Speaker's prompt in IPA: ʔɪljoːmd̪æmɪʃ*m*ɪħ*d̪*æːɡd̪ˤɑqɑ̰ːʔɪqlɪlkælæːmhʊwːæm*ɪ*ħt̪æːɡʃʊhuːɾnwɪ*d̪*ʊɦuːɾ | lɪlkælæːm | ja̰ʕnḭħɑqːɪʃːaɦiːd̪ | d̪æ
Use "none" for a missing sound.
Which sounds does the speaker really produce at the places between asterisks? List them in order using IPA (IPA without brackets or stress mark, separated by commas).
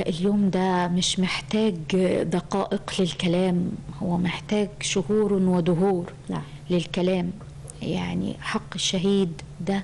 m, t̪, ɪ, d̪